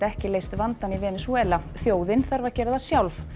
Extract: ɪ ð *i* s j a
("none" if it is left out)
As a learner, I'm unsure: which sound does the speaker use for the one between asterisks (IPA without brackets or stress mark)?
a